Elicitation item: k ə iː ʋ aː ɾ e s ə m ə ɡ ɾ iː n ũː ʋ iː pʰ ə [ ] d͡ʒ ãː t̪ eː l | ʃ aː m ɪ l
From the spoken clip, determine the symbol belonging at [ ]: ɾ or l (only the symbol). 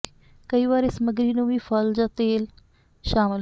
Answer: l